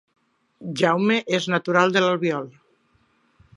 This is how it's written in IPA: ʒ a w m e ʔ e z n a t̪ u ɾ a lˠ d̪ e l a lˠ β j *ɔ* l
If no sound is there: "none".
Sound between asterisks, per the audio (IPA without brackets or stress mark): ɔ